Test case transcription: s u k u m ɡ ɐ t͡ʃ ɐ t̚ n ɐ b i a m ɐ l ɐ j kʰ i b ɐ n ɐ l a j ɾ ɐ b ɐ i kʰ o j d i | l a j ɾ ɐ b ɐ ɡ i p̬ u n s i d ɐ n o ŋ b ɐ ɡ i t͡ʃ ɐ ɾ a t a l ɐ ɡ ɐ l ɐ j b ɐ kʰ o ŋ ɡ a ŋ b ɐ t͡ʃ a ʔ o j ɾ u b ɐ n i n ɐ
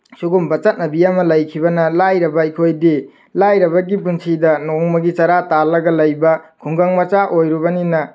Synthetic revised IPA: s u ɡ u m b ɐ t͡ʃ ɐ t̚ n ɐ b i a m ɐ l ɐ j kʰ i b ɐ n ɐ l a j ɾ ɐ b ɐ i kʰ o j d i | l a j ɾ ɐ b ɐ ɡ i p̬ u n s i d ɐ n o ŋ m ɐ ɡ i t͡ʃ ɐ ɾ a t a l ɐ ɡ ɐ l ɐ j b ɐ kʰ u ŋ ɡ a ŋ m ɐ t͡ʃ a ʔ o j ɾ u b ɐ n i n ɐ